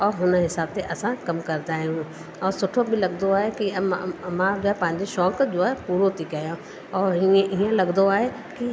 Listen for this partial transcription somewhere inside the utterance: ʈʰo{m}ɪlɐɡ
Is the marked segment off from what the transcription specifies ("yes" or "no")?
yes